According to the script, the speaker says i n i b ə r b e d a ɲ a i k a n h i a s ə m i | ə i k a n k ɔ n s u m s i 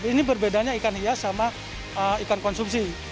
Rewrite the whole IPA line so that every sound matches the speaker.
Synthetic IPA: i n i b ə r b e d a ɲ a i k a n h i a s a m a | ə i k a n k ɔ n s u m s i